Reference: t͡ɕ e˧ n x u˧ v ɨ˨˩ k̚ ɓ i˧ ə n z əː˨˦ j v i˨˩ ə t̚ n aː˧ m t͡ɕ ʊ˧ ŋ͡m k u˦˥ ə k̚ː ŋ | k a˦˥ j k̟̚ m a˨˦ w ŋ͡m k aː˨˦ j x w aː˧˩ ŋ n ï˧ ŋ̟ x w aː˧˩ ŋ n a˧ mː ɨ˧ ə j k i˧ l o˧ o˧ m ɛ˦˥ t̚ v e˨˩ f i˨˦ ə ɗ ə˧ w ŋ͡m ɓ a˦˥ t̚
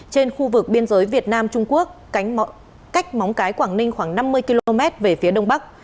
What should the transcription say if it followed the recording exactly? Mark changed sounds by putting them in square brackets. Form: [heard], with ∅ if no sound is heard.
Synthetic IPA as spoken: t͡ɕ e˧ n x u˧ v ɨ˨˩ k̚ ɓ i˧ ə n z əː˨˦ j v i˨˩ ə t̚ n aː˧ m t͡ɕ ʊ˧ ŋ͡m k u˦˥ ə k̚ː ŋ | k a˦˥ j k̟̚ m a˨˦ w ŋ͡m k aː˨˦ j [k] w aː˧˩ ŋ n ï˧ ŋ̟ x w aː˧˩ ŋ n a˧ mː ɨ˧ ə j k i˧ l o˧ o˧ m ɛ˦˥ t̚ v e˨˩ f i˨˦ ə ɗ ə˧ w ŋ͡m ɓ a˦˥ [k̚]